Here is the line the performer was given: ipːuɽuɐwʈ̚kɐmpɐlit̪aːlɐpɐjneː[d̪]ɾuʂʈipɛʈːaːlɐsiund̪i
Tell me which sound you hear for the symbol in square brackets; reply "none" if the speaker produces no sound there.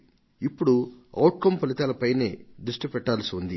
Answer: d̪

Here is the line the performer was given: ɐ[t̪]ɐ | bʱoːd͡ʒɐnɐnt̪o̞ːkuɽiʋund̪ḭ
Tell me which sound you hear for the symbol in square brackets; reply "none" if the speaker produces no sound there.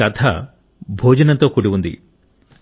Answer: t̪ʰ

